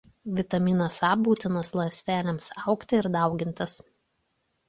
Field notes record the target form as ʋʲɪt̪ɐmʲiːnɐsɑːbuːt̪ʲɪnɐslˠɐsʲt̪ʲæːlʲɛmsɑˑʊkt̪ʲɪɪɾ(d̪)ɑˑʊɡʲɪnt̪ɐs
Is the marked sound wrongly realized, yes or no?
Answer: no